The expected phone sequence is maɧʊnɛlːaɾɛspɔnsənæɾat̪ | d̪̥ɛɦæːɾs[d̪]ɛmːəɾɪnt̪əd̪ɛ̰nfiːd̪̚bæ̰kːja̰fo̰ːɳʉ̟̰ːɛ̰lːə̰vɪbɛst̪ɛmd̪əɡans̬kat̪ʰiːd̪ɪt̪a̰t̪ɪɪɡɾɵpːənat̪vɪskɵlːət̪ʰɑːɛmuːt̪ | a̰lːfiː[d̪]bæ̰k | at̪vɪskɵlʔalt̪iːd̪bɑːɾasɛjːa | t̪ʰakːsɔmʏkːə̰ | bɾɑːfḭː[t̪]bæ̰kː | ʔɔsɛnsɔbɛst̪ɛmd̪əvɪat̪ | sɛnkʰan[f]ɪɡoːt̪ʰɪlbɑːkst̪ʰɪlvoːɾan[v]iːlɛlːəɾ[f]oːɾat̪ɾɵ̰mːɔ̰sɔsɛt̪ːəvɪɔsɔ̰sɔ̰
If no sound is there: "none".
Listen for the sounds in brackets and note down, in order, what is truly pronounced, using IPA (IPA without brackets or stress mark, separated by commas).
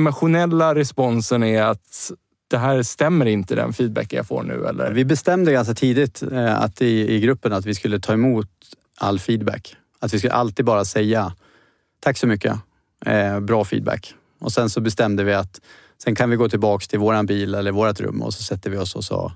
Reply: t̪, d̪, d̪, v, b, v